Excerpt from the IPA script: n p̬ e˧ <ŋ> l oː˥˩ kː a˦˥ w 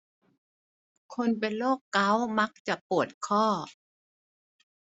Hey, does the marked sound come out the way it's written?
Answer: no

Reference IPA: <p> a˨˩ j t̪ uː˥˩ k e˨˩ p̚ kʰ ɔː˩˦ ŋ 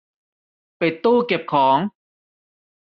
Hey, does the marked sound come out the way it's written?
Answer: yes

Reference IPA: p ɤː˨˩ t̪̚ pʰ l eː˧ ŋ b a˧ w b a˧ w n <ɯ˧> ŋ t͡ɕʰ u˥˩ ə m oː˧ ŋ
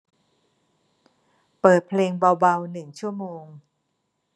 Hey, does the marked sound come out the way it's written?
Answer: no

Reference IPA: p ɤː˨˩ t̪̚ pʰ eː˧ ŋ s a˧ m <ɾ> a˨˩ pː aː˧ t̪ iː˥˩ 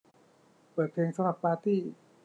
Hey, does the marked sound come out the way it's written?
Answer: yes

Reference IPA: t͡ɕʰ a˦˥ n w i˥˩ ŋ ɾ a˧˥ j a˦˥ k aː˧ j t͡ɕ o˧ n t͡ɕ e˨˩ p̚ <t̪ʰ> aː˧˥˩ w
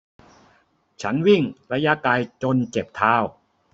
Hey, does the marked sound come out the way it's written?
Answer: yes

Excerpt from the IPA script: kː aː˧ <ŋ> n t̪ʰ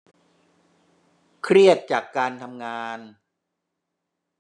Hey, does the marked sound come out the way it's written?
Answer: no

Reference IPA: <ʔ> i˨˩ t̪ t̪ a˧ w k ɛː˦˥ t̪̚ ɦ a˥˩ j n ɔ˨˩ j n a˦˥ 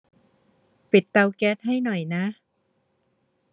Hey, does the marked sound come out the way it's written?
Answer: no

